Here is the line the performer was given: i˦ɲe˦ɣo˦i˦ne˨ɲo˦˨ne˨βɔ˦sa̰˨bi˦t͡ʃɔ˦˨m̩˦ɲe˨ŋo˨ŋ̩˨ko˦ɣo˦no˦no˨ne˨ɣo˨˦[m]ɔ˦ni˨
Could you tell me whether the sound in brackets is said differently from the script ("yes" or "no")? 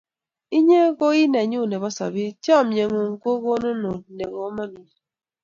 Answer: no